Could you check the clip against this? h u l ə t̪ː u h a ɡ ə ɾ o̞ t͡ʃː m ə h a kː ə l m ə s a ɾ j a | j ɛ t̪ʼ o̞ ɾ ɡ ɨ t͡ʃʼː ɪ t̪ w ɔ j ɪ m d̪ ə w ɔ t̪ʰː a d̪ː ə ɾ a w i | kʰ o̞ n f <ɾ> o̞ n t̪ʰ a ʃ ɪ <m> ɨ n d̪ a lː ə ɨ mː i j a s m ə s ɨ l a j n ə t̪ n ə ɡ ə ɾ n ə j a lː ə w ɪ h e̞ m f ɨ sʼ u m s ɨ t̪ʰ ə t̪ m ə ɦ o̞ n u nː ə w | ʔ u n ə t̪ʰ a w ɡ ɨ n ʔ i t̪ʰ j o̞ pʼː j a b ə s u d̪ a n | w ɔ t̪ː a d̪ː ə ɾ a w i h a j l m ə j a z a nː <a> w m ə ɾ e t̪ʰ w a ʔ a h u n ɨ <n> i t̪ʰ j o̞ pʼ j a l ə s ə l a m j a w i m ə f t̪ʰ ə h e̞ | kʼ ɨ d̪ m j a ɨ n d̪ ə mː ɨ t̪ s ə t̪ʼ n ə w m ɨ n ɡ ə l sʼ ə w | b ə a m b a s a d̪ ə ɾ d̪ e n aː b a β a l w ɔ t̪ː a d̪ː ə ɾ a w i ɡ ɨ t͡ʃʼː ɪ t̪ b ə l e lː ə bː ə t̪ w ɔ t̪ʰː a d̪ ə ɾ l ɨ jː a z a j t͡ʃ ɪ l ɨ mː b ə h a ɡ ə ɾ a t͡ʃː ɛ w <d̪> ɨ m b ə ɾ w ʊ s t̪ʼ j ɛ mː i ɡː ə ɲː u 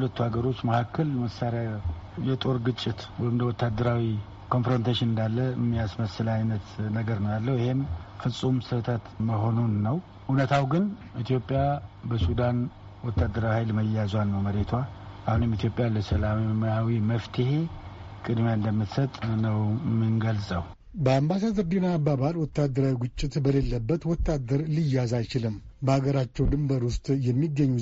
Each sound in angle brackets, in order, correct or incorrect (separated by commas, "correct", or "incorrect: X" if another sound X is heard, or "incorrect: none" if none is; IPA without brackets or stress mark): correct, incorrect: n, incorrect: ə, incorrect: m, correct